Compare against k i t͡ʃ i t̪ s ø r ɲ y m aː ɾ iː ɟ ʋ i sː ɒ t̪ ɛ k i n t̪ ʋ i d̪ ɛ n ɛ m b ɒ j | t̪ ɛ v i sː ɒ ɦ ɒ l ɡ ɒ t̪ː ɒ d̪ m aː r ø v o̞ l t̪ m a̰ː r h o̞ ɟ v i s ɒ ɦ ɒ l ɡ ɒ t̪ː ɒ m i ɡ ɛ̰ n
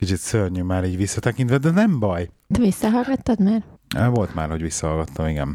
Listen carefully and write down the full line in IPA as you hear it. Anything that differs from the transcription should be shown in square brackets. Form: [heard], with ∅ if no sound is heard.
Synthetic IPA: k i t͡ʃ i t̪ s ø r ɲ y m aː ɾ iː ɟ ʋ i sː ɒ t̪ ɛ k i n t̪ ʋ [ɛ] d̪ ɛ n ɛ m b ɒ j | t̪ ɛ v i sː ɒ ɦ ɒ l ɡ ɒ t̪ː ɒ d̪ m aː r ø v o̞ l t̪ m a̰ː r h o̞ ɟ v i [sː] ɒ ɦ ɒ l ɡ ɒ t̪ː ɒ m i ɡ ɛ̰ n